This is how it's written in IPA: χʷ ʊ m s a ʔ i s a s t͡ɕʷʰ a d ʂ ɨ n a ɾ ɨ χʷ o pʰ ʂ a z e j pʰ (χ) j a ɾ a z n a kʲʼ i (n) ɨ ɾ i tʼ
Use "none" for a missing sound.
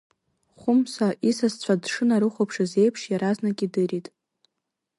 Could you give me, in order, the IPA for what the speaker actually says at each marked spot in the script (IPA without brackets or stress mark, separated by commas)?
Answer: ʂ, d